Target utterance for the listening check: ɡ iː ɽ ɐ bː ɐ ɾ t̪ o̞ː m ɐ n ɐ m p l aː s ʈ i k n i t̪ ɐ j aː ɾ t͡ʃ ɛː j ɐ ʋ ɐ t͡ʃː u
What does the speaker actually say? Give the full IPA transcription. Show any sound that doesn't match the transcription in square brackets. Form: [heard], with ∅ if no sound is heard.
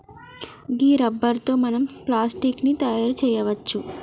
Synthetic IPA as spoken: ɡ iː [ɾ] ɐ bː ɐ ɾ t̪ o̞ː m ɐ n ɐ m p l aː s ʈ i k n i t̪ ɐ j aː ɾ t͡ʃ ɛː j ɐ ʋ ɐ t͡ʃː u